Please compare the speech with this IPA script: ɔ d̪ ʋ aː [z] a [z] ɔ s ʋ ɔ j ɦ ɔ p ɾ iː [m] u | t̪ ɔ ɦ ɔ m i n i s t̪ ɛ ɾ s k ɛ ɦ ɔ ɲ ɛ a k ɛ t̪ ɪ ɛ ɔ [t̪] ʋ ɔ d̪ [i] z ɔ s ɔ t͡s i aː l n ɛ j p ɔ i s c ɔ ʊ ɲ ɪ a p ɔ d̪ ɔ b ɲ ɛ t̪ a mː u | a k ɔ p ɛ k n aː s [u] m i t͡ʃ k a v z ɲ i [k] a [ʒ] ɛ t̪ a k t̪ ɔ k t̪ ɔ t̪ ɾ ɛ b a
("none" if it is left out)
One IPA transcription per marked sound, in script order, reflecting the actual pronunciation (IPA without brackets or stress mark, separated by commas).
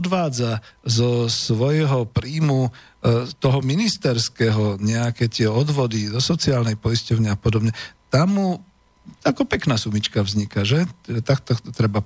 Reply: d͡z, z, m, d̪, i, u, k, ʒ